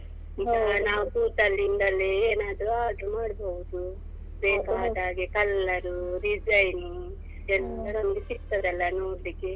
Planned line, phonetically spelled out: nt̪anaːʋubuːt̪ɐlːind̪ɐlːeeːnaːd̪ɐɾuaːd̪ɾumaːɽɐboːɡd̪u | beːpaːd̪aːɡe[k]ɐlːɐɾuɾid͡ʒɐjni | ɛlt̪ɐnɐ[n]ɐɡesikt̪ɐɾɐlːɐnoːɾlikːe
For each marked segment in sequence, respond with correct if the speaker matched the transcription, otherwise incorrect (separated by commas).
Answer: correct, incorrect